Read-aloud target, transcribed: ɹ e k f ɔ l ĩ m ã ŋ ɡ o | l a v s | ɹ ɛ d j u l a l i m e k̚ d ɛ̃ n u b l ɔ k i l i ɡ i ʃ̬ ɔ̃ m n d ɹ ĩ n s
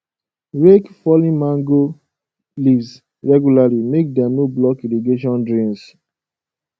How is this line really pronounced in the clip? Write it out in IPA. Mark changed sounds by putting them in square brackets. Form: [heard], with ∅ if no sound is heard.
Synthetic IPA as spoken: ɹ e k f ɔ l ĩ m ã ŋ ɡ o | l [i] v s | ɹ ɛ [ɡ] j u l a l i m e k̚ d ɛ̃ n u b l ɔ k i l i ɡ [e] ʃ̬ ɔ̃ [∅] n d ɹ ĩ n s